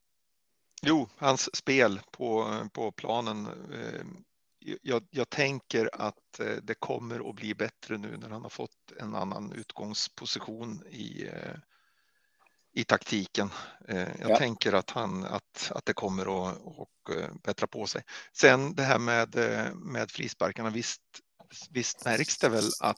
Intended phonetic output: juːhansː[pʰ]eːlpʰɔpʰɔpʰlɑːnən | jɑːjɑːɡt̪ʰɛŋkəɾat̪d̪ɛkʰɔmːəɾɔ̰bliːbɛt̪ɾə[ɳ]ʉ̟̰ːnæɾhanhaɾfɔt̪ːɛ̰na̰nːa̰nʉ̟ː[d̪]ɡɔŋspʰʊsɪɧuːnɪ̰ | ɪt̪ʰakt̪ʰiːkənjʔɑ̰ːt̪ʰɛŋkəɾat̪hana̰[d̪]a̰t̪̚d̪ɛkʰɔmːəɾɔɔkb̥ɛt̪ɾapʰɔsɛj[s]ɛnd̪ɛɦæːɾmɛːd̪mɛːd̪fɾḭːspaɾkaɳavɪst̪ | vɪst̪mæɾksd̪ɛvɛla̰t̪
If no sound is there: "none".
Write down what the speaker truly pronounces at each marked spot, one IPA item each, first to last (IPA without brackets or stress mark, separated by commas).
p, n, t̪, t̪, s